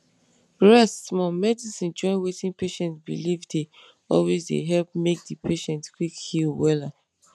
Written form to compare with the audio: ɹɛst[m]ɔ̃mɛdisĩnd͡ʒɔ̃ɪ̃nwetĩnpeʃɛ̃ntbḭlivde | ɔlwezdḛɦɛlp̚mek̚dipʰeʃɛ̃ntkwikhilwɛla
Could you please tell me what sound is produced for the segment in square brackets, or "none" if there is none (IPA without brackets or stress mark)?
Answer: m